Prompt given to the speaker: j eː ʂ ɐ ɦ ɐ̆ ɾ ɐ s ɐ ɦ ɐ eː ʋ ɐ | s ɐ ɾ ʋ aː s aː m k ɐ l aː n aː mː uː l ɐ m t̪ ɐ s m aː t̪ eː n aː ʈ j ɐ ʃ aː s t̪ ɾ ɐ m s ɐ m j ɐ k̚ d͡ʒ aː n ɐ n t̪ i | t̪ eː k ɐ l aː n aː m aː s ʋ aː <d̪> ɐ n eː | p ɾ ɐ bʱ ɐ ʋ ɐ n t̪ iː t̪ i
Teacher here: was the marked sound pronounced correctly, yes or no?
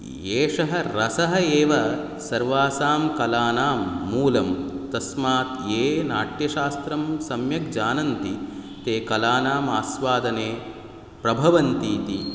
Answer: yes